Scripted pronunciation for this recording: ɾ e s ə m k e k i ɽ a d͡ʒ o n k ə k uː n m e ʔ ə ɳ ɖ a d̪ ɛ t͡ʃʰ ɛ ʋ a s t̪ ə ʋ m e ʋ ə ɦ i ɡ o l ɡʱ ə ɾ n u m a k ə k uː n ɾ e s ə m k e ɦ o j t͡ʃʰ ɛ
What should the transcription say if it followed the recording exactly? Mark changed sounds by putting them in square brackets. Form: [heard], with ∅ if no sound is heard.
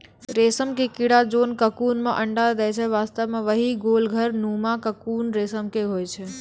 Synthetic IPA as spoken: ɾ e s ə m k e k i ɽ a d͡ʒ o n k ə k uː n m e ʔ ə ɳ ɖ a d̪ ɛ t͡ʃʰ ɛ ʋ a s t̪ ə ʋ m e ʋ ə ɦ i ɡ o l ɡʱ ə ɾ n u m a k ə k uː n ɾ e s ə m k e ɦ o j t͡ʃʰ ɛ